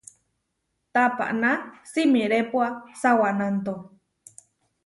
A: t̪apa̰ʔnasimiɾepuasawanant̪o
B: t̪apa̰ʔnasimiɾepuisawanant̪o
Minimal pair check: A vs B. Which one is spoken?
A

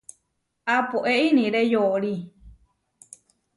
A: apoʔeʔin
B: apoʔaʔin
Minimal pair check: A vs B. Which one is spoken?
A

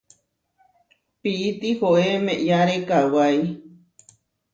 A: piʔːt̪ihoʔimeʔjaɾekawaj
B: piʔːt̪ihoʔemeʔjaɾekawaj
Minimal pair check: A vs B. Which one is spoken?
B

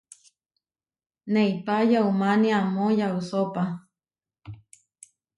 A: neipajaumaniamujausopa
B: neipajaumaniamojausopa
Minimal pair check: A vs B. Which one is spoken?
B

